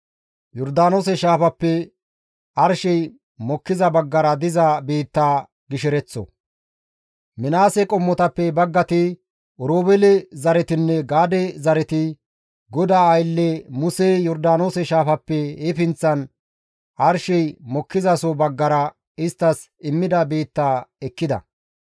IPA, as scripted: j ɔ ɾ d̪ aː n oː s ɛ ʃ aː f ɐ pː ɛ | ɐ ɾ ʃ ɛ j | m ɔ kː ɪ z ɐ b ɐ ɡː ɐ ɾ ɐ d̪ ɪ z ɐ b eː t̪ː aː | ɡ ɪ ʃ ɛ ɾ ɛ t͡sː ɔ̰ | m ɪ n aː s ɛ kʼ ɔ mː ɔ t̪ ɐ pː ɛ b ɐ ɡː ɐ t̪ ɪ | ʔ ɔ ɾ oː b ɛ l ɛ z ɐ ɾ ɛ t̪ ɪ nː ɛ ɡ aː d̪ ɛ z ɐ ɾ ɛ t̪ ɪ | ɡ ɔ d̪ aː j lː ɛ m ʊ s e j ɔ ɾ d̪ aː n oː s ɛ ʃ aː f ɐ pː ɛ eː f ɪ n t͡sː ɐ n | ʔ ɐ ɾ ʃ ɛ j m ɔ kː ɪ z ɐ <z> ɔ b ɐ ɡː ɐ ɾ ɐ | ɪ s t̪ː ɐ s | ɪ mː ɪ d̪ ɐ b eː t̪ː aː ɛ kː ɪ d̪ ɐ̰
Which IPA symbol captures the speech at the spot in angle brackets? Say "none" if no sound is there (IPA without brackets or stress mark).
s